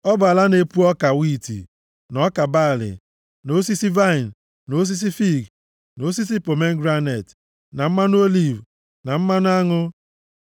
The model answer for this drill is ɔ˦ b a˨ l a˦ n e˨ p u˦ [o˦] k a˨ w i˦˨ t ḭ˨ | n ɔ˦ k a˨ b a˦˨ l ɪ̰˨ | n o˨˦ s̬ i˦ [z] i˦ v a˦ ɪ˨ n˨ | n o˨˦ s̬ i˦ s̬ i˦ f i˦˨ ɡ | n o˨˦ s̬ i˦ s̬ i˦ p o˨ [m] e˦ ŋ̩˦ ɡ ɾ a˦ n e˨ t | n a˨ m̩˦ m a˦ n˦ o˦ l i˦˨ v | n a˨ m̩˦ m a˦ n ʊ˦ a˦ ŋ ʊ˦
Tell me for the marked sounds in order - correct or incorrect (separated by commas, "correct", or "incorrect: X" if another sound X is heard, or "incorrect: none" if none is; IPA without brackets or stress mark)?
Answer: incorrect: ɔ˦, incorrect: s, correct